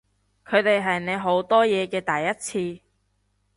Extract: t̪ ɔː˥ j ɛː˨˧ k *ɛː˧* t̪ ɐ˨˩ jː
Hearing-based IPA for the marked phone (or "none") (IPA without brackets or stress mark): ɛː˧